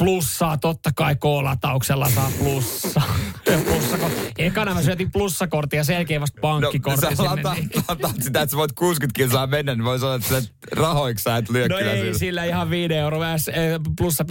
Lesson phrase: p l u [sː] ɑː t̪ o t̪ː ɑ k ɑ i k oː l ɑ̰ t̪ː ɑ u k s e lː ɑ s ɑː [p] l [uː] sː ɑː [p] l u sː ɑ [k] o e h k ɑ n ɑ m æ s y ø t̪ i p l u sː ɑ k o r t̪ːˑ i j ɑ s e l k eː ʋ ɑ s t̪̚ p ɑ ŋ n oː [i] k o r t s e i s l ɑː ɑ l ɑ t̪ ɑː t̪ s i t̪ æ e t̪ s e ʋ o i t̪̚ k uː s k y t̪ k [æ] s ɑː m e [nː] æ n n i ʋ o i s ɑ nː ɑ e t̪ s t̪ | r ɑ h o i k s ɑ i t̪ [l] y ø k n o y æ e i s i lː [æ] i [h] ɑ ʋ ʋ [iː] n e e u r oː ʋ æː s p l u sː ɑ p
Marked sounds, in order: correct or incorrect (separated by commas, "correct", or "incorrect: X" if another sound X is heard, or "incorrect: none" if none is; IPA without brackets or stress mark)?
correct, correct, incorrect: u, correct, correct, correct, incorrect: i, correct, correct, correct, correct, correct